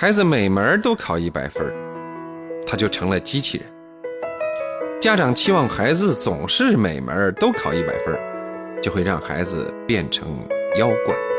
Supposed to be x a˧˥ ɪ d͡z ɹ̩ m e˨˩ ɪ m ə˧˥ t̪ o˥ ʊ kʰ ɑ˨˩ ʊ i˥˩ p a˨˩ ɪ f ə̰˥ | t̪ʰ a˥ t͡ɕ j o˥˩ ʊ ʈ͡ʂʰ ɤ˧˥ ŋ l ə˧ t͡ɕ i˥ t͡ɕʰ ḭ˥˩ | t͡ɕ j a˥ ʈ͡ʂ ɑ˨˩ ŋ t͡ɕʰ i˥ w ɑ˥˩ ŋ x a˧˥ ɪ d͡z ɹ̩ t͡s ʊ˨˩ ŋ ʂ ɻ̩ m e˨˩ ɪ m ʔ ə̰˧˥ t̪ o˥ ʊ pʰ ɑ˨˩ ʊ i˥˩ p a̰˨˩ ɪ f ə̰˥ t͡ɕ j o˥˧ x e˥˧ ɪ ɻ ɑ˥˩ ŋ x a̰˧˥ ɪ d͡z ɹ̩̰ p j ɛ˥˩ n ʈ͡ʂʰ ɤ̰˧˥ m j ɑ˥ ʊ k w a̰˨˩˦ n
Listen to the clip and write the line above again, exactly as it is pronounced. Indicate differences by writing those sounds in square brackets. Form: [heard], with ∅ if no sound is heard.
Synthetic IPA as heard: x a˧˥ ɪ d͡z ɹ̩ m e˨˩ ɪ m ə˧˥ t̪ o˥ ʊ kʰ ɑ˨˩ ʊ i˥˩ p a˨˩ ɪ f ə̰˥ | t̪ʰ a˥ t͡ɕ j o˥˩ ʊ ʈ͡ʂʰ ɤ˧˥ ŋ l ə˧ t͡ɕ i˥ t͡ɕʰ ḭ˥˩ | t͡ɕ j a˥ ʈ͡ʂ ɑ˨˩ ŋ t͡ɕʰ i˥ w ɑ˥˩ ŋ x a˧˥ ɪ d͡z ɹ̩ t͡s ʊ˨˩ ŋ ʂ ɻ̩ m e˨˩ ɪ m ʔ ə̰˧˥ t̪ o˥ ʊ [kʰ] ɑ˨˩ ʊ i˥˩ p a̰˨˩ ɪ f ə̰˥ t͡ɕ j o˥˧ x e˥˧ ɪ ɻ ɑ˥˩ ŋ x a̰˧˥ ɪ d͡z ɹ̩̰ p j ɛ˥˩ n ʈ͡ʂʰ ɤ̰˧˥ [ŋ] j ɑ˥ ʊ k w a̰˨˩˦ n